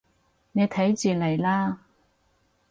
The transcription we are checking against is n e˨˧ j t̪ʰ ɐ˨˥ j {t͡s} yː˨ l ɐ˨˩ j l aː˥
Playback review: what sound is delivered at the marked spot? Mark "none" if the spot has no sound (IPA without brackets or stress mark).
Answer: t͡s